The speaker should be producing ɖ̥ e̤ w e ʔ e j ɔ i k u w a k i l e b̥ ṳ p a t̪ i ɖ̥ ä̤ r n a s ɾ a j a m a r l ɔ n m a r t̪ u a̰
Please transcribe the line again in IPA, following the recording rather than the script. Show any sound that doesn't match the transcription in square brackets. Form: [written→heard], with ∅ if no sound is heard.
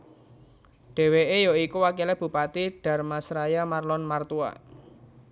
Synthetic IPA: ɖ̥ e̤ w e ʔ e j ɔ i k u w a k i l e b̥ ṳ p a t̪ i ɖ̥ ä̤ r [n→m] a s ɾ a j a m a r l ɔ n m a r t̪ u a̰

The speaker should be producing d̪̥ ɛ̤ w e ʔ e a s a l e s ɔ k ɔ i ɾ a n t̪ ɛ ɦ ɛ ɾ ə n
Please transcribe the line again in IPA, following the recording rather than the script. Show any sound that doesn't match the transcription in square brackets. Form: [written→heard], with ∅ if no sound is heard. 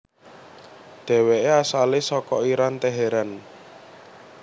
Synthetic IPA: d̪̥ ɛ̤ w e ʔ e a s a l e s ɔ k ɔ i ɾ a n t̪ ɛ ɦ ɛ ɾ [ə→a] n

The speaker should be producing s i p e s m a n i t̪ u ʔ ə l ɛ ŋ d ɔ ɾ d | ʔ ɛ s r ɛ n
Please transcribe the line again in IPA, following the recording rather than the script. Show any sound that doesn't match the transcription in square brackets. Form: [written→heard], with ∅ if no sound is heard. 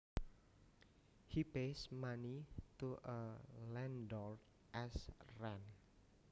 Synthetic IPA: [s→h] i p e s m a n i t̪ u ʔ ə l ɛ [ŋ→n] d ɔ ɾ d | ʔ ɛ s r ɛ n

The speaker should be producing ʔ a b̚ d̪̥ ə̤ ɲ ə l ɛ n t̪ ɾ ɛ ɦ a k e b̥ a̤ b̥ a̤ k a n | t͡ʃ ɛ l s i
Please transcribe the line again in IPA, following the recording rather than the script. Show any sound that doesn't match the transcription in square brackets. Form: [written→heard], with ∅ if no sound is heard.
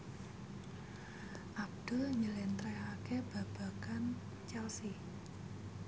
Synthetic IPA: ʔ a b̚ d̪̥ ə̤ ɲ ə l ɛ n t̪ ɾ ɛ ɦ a k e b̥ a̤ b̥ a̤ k a n | t͡ʃ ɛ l s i

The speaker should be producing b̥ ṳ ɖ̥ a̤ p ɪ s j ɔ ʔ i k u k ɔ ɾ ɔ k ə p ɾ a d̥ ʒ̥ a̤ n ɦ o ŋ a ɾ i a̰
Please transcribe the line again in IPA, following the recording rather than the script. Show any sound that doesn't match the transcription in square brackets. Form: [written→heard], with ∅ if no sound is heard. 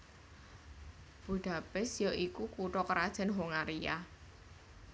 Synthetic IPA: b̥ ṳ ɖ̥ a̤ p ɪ s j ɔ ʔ i k u k [ɔ→u] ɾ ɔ k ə [p→∅] ɾ a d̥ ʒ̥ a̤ n ɦ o ŋ a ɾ i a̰

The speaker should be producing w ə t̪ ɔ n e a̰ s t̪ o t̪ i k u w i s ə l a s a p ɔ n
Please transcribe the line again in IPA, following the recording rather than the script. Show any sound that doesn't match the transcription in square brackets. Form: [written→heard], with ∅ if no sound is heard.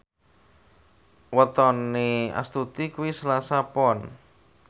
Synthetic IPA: w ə t̪ ɔ n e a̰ s t̪ [o→u] t̪ i k u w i s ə l a s a p ɔ n

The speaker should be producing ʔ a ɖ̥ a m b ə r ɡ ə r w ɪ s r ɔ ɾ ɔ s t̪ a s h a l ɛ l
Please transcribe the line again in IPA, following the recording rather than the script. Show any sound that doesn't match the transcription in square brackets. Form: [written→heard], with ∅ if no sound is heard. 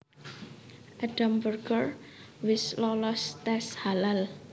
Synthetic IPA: ʔ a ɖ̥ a m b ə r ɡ ə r w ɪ s [r→l] ɔ [ɾ→l] ɔ s t̪ [a→ɛ] s h a l [ɛ→a] l

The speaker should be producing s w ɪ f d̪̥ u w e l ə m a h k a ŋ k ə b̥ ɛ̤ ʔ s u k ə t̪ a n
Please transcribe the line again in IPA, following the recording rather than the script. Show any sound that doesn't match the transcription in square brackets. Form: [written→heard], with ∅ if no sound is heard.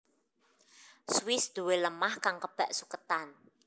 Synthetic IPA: s w ɪ [f→s] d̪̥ u w e l ə m a h k a ŋ k ə b̥ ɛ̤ ʔ s u k ə t̪ a n

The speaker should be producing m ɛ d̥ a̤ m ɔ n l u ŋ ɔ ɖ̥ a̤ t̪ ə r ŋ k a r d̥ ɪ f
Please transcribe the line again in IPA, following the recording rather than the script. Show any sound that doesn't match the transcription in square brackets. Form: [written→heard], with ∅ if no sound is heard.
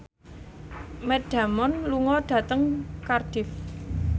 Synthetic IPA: m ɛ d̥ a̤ m ɔ n l u ŋ ɔ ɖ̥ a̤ t̪ ə [r→∅] ŋ k a r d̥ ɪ f

